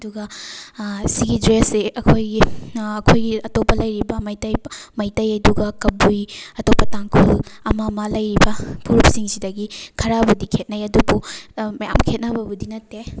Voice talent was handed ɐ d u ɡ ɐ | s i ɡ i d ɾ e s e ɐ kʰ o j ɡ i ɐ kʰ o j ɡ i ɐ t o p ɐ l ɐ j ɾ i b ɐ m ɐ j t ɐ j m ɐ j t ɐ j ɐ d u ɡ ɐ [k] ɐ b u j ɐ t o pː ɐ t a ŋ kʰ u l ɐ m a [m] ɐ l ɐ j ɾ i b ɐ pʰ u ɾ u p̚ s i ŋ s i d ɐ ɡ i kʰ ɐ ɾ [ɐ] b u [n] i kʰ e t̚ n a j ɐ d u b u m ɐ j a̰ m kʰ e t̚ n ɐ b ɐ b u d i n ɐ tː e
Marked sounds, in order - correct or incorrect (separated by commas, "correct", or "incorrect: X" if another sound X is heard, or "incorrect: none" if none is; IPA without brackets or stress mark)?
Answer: correct, correct, incorrect: a, incorrect: d